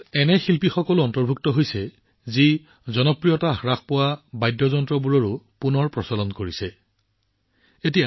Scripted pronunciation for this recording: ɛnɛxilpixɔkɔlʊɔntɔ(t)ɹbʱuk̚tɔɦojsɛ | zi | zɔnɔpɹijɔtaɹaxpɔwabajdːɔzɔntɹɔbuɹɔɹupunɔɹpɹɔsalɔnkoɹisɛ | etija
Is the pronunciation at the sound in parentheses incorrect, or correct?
incorrect